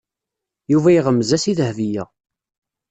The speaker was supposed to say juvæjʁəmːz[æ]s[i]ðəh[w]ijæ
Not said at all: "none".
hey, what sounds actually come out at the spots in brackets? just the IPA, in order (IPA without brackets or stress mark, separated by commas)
æ, i, v